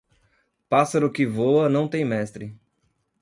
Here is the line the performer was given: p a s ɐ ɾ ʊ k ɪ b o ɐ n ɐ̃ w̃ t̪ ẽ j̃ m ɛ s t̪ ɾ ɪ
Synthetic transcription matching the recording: p a s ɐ ɾ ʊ k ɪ v o ɐ n ɐ̃ w̃ t̪ ẽ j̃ m ɛ s t̪ ɾ ɪ